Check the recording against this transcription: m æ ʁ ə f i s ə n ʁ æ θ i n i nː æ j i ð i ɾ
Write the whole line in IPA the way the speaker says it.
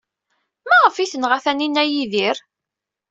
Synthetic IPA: m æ ʁ ə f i θ ə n ʁ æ θ æ n i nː æ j i ð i ɾ